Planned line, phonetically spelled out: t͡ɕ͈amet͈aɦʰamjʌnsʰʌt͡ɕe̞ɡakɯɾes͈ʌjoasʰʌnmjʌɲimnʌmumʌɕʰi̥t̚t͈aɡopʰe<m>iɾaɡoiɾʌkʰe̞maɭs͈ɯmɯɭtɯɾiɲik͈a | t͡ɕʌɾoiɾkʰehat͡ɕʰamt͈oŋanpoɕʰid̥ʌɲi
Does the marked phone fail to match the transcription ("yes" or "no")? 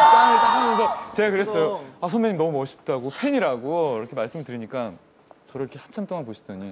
yes